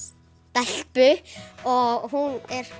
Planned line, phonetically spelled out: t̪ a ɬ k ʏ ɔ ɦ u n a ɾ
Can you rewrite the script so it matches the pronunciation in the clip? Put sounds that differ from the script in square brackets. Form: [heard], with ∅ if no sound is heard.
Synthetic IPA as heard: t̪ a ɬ [p] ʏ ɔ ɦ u n [ɛ] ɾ